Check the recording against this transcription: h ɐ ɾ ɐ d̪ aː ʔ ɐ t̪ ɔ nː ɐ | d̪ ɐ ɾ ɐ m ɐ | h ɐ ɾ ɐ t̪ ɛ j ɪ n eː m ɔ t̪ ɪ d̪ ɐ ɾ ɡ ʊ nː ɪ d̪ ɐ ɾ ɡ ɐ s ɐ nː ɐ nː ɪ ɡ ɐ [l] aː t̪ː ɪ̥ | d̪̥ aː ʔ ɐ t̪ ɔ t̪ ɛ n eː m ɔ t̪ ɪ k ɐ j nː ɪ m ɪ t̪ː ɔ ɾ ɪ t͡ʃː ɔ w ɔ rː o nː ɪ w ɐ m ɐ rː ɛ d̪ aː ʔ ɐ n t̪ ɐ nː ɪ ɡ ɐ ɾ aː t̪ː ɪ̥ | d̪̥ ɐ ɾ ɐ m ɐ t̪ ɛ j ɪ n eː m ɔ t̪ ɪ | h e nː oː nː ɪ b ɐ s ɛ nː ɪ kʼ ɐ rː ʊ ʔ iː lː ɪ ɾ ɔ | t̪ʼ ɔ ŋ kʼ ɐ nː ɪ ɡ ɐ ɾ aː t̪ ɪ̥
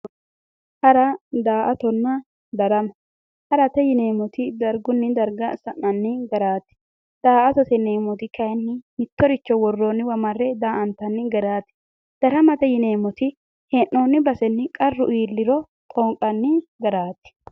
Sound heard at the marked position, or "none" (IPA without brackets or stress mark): ɾ